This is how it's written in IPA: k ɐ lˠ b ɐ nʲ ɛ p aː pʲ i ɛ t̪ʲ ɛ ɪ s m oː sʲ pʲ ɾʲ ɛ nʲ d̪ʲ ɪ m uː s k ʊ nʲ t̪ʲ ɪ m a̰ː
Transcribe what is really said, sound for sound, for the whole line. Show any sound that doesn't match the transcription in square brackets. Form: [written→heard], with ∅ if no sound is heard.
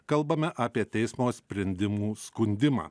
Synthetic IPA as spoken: k ɐ lˠ b ɐ [nʲ→mʲ] ɛ [p→ʔ] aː pʲ i ɛ t̪ʲ ɛ ɪ s m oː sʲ pʲ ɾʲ ɛ nʲ d̪ʲ ɪ m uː s k ʊ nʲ [t̪ʲ→d̪ʲ] ɪ m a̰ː